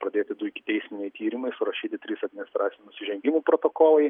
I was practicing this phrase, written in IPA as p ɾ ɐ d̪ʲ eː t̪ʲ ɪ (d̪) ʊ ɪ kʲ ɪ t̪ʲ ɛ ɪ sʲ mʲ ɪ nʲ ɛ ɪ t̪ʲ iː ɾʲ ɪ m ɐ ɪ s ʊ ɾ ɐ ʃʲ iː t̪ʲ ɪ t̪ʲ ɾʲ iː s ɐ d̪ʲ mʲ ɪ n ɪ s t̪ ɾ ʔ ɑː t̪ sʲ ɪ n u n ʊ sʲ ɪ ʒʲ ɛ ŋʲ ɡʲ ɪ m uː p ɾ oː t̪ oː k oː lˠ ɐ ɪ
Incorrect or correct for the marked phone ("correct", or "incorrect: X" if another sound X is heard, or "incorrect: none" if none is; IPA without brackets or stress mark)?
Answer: correct